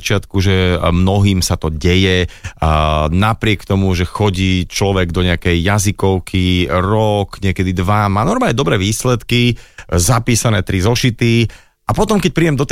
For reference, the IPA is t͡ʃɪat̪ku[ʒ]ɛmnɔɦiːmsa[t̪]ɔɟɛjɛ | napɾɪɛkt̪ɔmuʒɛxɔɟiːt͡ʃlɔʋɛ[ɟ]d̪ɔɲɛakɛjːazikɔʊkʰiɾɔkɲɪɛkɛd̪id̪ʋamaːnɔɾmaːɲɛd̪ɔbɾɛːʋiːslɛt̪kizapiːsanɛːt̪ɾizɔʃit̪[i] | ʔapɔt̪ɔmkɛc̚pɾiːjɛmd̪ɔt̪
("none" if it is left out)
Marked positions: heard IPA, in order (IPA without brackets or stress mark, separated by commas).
ʒ, t̪, ɡ, i